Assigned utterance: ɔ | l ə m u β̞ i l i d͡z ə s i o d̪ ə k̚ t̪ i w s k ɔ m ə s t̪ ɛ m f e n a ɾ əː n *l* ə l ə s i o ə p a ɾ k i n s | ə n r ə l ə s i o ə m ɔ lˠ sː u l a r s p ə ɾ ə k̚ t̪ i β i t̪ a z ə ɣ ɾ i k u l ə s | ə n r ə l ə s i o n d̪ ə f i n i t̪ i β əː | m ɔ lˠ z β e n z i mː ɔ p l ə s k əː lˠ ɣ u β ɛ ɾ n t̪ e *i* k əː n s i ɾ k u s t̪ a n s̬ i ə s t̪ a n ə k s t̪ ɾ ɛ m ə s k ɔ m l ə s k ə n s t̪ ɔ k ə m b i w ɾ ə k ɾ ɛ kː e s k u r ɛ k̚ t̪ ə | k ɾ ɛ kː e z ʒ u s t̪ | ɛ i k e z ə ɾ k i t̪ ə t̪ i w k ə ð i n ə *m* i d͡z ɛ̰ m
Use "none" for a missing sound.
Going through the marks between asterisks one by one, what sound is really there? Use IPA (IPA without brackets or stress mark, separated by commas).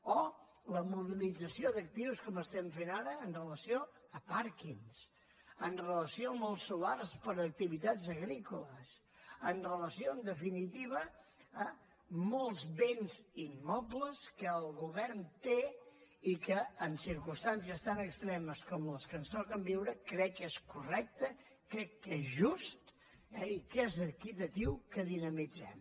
r, i, m